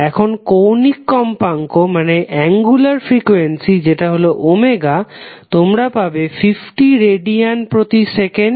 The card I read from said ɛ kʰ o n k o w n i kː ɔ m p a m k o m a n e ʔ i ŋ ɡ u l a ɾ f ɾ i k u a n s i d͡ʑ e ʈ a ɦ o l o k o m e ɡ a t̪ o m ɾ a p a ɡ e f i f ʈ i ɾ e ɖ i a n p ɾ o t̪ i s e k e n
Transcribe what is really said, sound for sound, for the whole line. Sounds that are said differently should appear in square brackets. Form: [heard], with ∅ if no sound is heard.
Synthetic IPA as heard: ɛ kʰ o n k o w n i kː ɔ m p a [ŋ] k o m a n e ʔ [ɛ] ŋ ɡ u l a ɾ f ɾ i k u [e] n s i d͡ʑ e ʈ a ɦ o l o [ʔ] o m e ɡ a t̪ o m ɾ a p a [b] e f i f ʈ i ɾ e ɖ i a n p ɾ o t̪ i s e k e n

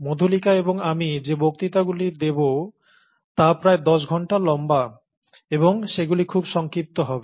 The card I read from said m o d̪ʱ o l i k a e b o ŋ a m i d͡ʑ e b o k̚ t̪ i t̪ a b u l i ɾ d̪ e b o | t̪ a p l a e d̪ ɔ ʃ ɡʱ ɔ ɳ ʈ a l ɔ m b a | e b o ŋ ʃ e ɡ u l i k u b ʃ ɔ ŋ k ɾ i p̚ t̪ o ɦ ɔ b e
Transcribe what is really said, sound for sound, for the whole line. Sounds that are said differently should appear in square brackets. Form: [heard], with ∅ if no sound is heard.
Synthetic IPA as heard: m o d̪ʱ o l i k a e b o ŋ a m i d͡ʑ e b o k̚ t̪ i t̪ a [ɡ] u l i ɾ d̪ e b o | t̪ a p [ɾ] a e d̪ ɔ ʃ ɡʱ ɔ ɳ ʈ a l ɔ m b a | e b o ŋ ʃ e ɡ u l i [kʰ] u b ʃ ɔ ŋ k ɾ i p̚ t̪ o ɦ ɔ b e

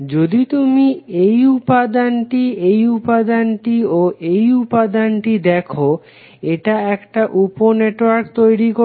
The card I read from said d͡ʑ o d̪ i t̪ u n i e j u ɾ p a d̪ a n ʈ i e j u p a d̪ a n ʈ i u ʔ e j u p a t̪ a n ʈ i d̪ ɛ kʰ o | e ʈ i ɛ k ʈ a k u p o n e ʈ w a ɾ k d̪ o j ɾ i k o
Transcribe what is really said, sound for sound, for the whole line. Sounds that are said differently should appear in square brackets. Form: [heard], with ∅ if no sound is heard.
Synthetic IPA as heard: d͡ʑ o d̪ i t̪ u [m] i e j u [∅] p a d̪ a n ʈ i e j u p a d̪ a n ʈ i [o] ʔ e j u p a [d̪] a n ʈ i d̪ ɛ kʰ o | e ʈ [a] ɛ k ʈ a [ʔ] u p o n e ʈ w a ɾ k [t̪] o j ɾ i k o

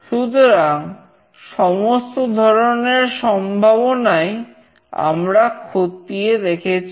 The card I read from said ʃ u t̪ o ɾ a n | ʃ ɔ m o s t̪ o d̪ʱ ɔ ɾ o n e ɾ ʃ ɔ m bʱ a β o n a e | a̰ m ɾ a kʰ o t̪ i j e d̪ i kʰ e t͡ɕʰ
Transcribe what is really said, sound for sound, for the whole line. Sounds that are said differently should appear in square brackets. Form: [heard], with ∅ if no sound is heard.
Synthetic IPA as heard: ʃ u t̪ o ɾ a [ŋ] | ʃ ɔ m o s t̪ o d̪ʱ ɔ ɾ o n e ɾ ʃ ɔ m bʱ a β o n a e | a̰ m ɾ a kʰ o t̪ i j e d̪ [e] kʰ e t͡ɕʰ

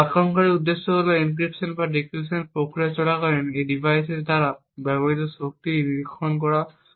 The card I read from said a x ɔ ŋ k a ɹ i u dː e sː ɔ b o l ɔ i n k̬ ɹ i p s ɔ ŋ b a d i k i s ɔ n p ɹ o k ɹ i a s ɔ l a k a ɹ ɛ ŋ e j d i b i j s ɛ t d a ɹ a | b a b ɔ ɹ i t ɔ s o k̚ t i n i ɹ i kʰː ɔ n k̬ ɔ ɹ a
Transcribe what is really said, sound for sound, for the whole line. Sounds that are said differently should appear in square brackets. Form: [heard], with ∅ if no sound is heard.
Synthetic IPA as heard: a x ɔ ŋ k a ɹ i u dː e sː ɔ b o l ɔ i n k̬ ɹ i p s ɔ [n] b a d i k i s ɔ n p ɹ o k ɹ i a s ɔ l a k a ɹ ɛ [n] e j d i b [a] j s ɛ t d a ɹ a | b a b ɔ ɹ i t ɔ s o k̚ t i n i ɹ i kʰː ɔ n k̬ ɔ ɹ a

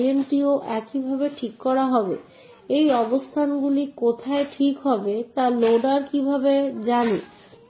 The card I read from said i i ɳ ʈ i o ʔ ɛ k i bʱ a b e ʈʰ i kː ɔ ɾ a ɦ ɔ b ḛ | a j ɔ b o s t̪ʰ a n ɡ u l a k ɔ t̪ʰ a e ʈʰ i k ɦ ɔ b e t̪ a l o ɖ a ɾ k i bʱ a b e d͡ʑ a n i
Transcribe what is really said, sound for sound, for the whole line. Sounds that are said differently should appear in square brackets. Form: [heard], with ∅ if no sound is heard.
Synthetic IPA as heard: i [e] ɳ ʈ i o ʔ ɛ k i bʱ a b e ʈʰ i kː ɔ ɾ a ɦ ɔ b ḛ | [e] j ɔ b o s t̪ʰ a n ɡ u l [i] k [o] t̪ʰ a e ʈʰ i k ɦ ɔ b e t̪ a l o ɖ a ɾ k i bʱ a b e d͡ʑ a n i

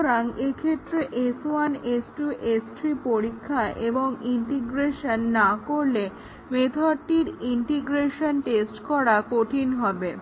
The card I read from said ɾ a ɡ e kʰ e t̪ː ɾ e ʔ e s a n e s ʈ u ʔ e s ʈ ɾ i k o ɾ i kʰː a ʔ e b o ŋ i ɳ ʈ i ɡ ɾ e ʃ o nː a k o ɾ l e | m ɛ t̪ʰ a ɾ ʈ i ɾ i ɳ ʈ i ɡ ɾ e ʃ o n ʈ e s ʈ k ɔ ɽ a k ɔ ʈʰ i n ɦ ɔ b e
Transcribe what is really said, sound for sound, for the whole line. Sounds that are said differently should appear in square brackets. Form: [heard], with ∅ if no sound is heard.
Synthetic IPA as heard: ɾ a [ŋ] e kʰ e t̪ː ɾ e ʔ e s a n e s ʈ u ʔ e s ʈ ɾ i [p] o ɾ i kʰː a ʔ e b o ŋ i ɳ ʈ i ɡ ɾ e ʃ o nː a k o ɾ l e | m [e] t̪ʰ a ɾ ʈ i ɾ i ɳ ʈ i ɡ ɾ e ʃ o n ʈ e s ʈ k ɔ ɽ a k [o] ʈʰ i n ɦ ɔ b e

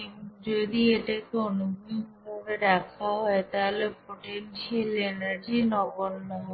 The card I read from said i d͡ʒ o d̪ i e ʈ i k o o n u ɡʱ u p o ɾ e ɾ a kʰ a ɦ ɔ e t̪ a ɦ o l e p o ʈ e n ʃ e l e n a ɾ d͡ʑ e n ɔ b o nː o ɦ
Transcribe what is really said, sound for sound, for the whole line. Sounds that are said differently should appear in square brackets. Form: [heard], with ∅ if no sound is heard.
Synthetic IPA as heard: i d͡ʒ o d̪ i e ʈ [a] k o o n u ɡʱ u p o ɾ e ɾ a kʰ a ɦ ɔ e t̪ a ɦ o l e p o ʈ e n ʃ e l e n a ɾ d͡ʑ [i] n ɔ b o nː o ɦ

